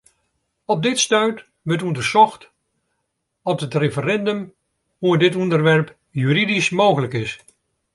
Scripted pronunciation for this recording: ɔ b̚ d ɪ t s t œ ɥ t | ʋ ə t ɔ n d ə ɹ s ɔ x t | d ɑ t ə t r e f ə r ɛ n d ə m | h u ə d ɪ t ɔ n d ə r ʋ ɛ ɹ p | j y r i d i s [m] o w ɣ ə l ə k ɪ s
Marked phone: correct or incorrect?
correct